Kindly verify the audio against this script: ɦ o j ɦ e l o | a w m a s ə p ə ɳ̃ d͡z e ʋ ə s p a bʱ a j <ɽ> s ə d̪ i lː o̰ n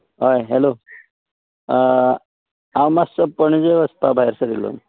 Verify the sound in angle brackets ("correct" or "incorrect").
incorrect